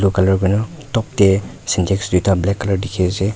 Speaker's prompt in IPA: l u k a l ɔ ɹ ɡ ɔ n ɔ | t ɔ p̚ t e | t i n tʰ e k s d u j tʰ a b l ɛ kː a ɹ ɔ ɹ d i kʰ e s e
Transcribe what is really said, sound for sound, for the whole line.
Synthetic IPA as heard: l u k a l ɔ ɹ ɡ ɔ n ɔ | t ɔ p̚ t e | s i n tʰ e k s d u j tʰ a b l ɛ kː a l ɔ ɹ d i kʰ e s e